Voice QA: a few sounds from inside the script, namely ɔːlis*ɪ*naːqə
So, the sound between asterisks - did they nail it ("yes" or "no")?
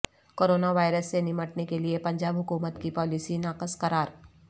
no